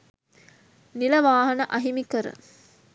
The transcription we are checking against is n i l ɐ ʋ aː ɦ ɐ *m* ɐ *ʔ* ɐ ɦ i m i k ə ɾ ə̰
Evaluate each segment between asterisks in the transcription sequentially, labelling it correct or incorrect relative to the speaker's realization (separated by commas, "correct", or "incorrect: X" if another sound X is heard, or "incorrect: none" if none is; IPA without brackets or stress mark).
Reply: incorrect: n, correct